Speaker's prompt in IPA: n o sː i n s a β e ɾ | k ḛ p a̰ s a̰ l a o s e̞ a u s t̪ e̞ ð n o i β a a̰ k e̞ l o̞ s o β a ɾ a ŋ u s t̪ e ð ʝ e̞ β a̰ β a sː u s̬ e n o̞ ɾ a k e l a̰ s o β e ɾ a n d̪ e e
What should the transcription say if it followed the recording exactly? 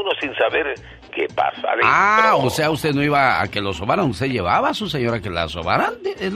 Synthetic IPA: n o s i n s a β e ɾ | k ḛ p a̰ s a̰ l a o s e̞ a u s t̪ e̞ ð n o i β a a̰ k e̞ l o̞ s o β a ɾ a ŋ u s t̪ e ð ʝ e̞ β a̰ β a s u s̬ e ɲ o̞ ɾ a k e l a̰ s o β a ɾ a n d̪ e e